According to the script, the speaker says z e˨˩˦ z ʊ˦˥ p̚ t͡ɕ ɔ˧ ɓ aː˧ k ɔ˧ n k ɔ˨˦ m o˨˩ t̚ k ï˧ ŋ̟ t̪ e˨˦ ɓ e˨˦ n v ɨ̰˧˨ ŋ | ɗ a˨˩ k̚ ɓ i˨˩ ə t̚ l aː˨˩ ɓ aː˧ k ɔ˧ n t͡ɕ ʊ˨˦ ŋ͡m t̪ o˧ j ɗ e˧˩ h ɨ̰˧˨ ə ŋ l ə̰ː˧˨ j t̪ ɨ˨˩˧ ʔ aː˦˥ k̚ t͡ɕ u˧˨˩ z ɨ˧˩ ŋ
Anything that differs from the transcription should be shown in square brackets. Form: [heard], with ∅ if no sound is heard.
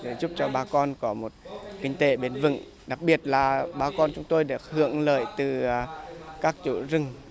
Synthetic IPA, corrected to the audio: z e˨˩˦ z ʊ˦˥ p̚ t͡ɕ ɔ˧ ɓ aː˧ k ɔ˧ n k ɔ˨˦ m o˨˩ t̚ k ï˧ ŋ̟ t̪ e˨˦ ɓ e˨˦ n v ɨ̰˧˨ ŋ | ɗ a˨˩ k̚ ɓ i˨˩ ə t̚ l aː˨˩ ɓ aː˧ k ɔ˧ n t͡ɕ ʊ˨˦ ŋ͡m t̪ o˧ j ɗ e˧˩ h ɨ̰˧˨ ə ŋ l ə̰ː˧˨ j t̪ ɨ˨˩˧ [k] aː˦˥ k̚ t͡ɕ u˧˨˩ z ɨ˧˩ ŋ